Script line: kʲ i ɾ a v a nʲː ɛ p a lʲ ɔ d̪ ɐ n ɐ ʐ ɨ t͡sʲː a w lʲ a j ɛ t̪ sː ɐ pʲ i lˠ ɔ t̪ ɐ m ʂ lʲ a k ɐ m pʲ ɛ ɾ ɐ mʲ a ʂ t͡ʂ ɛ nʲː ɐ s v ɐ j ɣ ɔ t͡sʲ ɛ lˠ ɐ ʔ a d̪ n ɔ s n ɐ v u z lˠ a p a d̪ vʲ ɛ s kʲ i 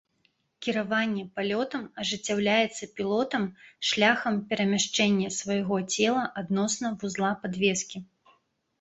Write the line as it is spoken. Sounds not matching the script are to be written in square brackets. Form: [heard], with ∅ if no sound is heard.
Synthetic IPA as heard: kʲ i ɾ a v a nʲː ɛ p a lʲ ɔ [t̪] ɐ [m] ɐ ʐ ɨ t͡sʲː a w lʲ a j ɛ t̪ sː ɐ pʲ i lˠ ɔ t̪ ɐ m ʂ lʲ a [x] ɐ m pʲ ɛ ɾ ɐ mʲ a ʂ t͡ʂ ɛ nʲː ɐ s v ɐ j ɣ ɔ t͡sʲ ɛ lˠ ɐ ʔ a d̪ n ɔ s n ɐ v u z lˠ a p a d̪ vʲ ɛ s kʲ i